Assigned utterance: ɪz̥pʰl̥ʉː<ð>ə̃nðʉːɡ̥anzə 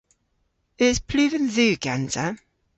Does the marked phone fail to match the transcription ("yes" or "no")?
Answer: yes